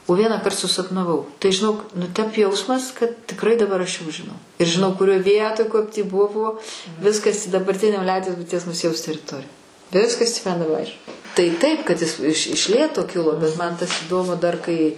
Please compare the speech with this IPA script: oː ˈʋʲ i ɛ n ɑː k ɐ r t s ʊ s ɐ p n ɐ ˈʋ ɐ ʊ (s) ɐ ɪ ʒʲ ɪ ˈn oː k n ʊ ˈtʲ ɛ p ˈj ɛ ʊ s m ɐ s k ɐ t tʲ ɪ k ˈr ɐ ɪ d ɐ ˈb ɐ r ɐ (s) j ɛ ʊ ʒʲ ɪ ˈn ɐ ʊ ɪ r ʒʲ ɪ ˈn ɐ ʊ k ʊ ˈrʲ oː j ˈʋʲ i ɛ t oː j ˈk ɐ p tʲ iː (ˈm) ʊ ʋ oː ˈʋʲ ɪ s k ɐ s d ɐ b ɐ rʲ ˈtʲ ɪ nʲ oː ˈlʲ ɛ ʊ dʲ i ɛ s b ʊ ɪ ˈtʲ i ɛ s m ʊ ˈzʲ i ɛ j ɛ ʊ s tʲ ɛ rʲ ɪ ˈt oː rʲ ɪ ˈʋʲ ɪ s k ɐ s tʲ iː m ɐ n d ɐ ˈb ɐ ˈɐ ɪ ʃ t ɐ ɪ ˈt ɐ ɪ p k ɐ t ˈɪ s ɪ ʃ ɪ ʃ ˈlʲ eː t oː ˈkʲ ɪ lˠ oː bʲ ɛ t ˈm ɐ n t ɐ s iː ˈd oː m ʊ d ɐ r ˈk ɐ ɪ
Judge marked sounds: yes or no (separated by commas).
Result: no, no, no